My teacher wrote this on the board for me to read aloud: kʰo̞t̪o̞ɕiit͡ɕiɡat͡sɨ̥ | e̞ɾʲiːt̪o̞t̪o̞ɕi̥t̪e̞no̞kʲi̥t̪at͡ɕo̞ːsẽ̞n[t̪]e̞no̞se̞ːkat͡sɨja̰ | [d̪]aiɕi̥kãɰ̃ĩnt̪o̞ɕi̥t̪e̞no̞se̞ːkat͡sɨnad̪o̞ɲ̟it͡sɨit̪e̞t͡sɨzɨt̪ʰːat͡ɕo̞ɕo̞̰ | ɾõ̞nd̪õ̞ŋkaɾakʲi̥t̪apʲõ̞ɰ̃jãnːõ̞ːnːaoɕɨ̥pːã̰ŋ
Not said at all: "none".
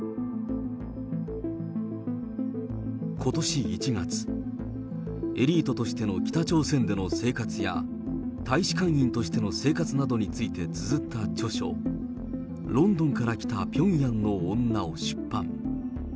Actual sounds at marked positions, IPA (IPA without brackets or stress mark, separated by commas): d̪, t̪